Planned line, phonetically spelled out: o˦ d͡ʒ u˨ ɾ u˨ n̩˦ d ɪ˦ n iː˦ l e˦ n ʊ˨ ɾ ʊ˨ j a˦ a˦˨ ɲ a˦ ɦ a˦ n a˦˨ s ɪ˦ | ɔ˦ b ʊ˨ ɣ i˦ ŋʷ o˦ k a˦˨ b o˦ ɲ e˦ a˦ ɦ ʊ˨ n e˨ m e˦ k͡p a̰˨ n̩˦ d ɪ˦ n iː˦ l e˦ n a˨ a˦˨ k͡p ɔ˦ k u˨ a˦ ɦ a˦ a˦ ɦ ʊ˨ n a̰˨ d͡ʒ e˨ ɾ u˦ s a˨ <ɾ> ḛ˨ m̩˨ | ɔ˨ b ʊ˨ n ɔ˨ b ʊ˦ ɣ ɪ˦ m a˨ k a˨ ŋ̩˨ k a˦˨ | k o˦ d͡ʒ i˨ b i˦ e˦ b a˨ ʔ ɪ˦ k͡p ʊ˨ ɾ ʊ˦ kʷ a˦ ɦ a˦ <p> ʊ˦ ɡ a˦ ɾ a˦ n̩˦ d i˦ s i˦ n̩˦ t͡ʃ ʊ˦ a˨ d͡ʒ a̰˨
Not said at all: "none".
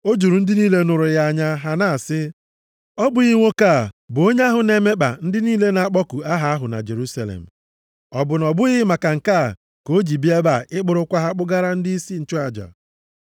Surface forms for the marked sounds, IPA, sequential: l, k͡p

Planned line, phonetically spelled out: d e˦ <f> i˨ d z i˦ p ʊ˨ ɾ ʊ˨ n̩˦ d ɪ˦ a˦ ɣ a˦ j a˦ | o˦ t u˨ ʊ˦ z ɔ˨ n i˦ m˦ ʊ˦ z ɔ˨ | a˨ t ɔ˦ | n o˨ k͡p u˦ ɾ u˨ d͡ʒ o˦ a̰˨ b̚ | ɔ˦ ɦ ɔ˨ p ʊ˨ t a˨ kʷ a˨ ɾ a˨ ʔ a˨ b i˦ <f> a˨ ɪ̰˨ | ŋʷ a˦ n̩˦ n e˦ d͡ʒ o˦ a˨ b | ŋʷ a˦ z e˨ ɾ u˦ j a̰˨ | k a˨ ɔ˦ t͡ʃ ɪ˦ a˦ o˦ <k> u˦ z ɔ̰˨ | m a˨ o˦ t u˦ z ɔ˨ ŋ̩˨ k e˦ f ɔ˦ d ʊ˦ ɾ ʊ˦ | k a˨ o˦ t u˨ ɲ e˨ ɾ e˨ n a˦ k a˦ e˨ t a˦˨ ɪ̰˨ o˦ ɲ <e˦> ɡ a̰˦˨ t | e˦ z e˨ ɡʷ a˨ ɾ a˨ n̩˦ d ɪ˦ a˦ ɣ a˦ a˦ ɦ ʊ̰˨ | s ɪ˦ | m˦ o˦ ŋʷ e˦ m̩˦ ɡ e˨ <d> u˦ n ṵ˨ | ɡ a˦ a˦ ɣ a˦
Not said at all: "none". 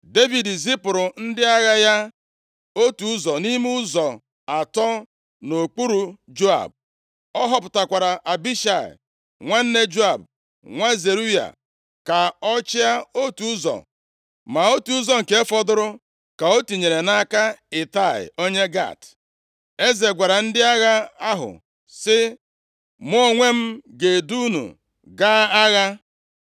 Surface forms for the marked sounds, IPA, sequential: v, ʃ, t, e˦, d

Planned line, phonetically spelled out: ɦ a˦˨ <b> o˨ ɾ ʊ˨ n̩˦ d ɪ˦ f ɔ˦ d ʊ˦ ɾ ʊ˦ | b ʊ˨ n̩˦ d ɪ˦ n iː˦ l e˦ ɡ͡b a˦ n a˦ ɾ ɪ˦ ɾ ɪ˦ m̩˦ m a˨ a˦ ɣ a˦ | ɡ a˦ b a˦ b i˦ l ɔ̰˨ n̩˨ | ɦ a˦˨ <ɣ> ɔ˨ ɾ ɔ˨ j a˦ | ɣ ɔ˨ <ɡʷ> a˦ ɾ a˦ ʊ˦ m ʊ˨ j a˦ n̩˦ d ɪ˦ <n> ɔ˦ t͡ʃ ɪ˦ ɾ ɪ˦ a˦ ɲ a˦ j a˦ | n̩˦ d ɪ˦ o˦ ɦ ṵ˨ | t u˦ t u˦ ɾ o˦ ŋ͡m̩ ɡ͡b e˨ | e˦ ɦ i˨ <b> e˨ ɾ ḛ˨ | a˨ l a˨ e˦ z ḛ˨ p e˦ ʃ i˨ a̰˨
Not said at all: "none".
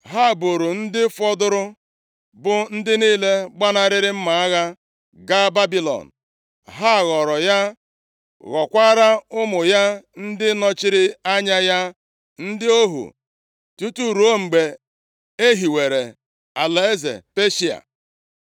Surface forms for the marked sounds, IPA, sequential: b, ɣ, kʷ, n, w

